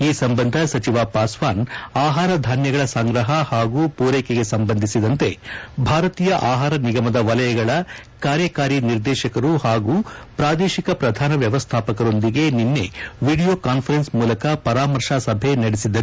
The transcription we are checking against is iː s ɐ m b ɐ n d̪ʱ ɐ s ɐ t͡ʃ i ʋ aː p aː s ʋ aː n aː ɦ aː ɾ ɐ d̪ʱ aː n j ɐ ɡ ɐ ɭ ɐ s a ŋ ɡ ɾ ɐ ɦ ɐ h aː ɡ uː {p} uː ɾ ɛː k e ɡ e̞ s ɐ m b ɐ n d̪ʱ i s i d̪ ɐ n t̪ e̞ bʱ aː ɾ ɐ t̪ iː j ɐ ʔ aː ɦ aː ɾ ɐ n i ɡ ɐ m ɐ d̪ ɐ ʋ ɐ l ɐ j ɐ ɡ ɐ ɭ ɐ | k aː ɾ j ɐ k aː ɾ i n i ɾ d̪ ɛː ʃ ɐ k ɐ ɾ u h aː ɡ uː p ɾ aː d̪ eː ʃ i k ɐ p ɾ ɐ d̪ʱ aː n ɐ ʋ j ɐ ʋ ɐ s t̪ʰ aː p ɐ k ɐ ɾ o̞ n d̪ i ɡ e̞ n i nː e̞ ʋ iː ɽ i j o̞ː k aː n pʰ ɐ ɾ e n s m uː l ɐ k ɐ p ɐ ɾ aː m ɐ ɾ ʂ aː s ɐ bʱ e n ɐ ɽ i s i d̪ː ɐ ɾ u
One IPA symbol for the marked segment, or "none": p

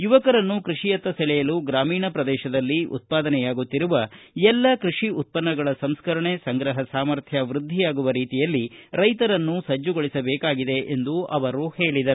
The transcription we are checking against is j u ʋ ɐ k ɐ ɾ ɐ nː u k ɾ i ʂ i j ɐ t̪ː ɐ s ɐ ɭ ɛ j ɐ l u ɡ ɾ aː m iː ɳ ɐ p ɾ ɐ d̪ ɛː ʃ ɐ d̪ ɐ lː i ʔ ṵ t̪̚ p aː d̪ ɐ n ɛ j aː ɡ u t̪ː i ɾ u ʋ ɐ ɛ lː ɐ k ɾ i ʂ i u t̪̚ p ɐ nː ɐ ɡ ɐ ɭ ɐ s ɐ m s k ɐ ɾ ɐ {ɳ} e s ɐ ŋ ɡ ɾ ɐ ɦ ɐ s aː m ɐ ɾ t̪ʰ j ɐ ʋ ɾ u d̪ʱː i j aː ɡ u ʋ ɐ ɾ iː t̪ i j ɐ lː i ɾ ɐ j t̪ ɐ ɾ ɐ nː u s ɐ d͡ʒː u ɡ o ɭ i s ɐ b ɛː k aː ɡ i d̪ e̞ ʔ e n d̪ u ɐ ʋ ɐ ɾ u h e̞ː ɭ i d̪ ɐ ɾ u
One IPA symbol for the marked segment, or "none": ɳ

